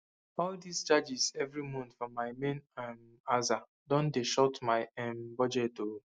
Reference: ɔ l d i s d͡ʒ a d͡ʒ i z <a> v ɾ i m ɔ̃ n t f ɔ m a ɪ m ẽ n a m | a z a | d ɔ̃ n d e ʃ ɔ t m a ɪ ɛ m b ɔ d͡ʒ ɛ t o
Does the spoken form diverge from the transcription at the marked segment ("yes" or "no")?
yes